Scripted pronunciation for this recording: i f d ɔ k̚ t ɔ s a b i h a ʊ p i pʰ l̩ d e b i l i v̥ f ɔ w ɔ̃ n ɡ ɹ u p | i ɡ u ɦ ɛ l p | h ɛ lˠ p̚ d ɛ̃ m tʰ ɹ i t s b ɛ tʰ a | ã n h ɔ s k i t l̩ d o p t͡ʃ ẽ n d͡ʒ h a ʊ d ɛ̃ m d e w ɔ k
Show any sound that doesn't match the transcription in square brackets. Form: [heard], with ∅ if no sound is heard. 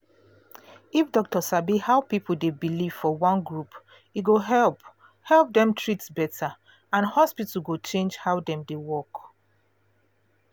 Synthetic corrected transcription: i f d ɔ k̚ t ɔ s a b i h a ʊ p i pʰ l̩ d e b i l i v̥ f ɔ w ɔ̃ n ɡ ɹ u p | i ɡ [o] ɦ ɛ l p | h ɛ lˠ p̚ d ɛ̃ m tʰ ɹ i t s b ɛ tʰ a | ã n h ɔ s [p] i t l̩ [ɡ] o [∅] t͡ʃ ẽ n d͡ʒ h a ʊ d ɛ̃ m d e w ɔ k